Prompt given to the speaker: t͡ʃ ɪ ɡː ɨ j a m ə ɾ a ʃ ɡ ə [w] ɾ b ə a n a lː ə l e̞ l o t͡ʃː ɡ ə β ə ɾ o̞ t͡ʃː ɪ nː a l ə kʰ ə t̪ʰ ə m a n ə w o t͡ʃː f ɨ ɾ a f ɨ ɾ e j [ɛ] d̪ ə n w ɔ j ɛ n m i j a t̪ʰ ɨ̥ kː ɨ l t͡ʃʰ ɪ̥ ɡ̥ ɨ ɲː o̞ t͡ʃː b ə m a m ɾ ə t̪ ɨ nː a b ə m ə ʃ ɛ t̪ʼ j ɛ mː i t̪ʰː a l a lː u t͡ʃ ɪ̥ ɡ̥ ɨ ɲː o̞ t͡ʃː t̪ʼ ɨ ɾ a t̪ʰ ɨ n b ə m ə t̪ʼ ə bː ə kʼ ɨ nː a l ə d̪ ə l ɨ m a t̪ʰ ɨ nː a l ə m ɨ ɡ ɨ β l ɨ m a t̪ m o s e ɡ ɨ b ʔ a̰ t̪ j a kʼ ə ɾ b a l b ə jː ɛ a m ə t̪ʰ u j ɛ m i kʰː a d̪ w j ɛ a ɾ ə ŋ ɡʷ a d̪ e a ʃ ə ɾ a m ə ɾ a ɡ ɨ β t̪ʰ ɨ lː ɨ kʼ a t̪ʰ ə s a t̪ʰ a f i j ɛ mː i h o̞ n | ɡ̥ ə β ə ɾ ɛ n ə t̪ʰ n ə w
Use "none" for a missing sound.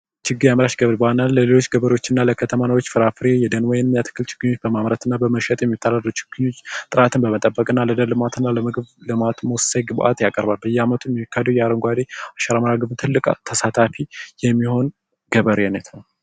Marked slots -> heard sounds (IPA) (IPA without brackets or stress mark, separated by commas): β, ɛ